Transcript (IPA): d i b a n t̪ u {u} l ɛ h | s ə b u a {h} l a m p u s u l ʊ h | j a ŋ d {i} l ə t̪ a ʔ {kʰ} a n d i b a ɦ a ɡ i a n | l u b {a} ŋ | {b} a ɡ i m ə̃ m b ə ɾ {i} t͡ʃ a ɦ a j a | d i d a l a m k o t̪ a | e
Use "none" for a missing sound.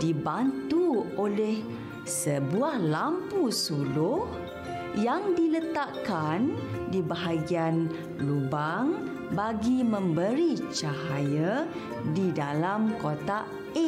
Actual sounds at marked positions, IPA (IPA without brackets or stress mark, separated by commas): o, h, i, k, a, b, i